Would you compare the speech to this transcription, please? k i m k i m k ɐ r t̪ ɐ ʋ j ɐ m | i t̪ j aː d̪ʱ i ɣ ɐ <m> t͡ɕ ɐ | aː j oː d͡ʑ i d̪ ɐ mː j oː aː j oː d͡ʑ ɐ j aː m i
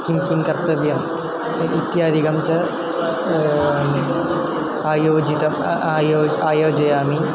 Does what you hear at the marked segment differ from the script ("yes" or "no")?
no